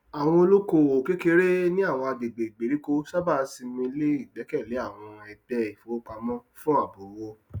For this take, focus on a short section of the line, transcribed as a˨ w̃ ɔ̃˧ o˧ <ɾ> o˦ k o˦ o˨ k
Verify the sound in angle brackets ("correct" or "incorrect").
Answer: incorrect